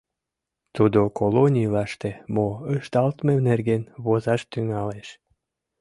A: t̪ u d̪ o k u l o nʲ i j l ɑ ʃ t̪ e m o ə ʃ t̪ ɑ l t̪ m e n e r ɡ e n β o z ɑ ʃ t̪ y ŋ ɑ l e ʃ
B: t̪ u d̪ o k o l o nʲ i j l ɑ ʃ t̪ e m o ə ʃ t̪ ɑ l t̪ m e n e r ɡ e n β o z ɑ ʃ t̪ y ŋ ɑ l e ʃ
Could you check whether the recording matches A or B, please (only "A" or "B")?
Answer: B